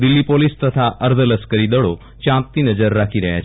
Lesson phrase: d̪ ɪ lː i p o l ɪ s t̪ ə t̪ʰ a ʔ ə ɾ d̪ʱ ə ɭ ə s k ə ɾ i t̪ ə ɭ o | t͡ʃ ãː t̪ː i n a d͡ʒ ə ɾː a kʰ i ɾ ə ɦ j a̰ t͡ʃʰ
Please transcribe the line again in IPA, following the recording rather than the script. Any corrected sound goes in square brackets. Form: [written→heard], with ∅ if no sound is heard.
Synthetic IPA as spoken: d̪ ɪ lː i p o l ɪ s t̪ ə t̪ʰ a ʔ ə ɾ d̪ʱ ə [ɭ→l] ə s k ə ɾ i [t̪→d̪] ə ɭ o | t͡ʃ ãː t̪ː i n [a→ə] d͡ʒ ə ɾː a kʰ i ɾ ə ɦ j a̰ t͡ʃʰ

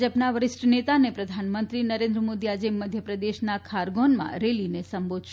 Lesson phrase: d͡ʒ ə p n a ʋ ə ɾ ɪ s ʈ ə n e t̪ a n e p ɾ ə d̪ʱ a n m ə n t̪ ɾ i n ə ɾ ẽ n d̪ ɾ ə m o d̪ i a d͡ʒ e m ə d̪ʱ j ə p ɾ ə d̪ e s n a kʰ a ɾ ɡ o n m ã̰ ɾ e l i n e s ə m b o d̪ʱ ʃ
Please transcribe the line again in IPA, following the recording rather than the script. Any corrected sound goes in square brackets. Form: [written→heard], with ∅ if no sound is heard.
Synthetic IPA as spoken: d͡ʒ ə p n a ʋ ə ɾ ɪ s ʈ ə n e t̪ a n e p ɾ ə d̪ʱ a n m ə n t̪ ɾ i n ə ɾ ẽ n d̪ ɾ ə m o d̪ i a d͡ʒ e m ə d̪ʱ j ə p ɾ ə d̪ e [s→ʃ] n a kʰ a ɾ ɡ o n m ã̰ ɾ e l i n e s ə m b o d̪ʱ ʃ

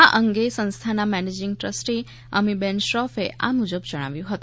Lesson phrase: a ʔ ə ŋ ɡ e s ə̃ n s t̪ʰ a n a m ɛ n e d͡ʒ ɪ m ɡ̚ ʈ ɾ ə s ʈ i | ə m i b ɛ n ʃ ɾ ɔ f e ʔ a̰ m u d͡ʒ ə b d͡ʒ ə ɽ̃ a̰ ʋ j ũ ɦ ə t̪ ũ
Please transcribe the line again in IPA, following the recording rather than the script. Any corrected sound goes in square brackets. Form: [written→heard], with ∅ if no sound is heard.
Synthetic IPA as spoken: a ʔ ə ŋ ɡ e s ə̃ n s t̪ʰ a n a m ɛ n e d͡ʒ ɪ [m→ŋ] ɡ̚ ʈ ɾ ə s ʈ i | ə m i b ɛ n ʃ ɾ ɔ f e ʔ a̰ m u d͡ʒ ə b d͡ʒ ə ɽ̃ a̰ ʋ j ũ ɦ ə t̪ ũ

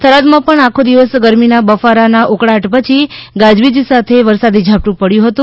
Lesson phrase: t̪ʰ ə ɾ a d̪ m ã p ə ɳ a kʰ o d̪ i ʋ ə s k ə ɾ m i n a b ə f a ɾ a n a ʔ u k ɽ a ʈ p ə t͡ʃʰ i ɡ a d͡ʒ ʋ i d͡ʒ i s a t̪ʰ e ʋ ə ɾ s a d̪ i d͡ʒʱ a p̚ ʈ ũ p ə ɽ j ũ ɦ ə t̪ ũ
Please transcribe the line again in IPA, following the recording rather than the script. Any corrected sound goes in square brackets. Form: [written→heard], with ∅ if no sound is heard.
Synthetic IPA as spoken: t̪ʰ ə ɾ a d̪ m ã p ə ɳ a kʰ o d̪ i ʋ ə s [k→ɡ] ə ɾ m i n a b ə f a ɾ a n a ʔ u k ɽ a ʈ p ə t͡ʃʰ i ɡ a d͡ʒ ʋ i d͡ʒ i s a t̪ʰ e ʋ ə ɾ s a d̪ i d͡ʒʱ a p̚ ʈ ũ p ə ɽ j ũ ɦ ə t̪ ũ

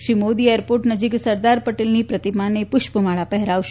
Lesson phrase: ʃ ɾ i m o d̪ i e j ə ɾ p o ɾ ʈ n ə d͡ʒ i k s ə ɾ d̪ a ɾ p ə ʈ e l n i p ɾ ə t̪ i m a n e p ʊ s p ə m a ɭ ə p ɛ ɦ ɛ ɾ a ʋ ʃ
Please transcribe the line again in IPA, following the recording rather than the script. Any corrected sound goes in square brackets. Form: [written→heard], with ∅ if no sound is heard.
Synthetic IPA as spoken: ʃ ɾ i m o d̪ i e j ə ɾ p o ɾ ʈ n ə d͡ʒ i k s ə ɾ d̪ a ɾ p ə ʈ e l n i p ɾ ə t̪ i m a n e p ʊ [s→ʃ] p ə m a ɭ [ə→a] p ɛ ɦ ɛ ɾ a ʋ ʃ

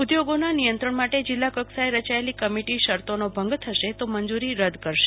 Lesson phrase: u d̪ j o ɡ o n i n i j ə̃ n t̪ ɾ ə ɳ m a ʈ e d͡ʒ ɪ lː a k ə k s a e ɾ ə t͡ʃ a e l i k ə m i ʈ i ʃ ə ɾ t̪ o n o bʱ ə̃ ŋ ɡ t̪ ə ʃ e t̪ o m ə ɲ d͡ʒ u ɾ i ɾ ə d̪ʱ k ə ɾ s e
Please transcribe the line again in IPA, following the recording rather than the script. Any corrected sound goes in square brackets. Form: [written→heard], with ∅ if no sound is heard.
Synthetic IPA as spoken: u d̪ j o ɡ o n [i→a] n i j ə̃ n t̪ ɾ ə ɳ m a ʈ e d͡ʒ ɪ lː a k ə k s a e ɾ ə t͡ʃ a e l i k ə m i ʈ i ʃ ə ɾ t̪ o n o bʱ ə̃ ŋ ɡ [t̪→t̪ʰ] ə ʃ e t̪ o m ə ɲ d͡ʒ u ɾ i ɾ ə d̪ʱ k ə ɾ [s→ʃ] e

